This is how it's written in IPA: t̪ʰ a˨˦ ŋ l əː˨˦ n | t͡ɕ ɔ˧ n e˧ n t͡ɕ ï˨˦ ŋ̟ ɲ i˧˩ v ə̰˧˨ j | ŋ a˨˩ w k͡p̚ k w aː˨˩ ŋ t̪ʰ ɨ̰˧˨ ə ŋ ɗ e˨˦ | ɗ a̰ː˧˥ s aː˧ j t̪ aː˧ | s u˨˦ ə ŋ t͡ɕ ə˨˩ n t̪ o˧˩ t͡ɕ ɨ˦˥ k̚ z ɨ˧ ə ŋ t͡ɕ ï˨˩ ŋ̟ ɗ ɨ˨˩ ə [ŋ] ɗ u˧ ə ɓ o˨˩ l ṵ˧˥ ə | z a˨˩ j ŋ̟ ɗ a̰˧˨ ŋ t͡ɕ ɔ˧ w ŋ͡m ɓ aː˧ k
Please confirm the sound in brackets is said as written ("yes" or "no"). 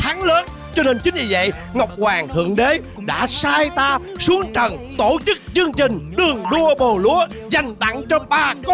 yes